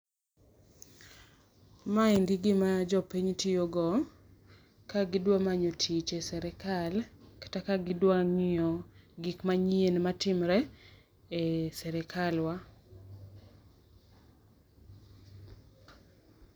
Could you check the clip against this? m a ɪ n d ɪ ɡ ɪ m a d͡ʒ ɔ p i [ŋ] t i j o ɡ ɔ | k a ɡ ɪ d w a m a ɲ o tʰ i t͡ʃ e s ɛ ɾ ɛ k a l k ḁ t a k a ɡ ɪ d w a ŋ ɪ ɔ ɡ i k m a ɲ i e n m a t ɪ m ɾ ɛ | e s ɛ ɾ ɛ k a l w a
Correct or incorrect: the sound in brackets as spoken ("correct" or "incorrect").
incorrect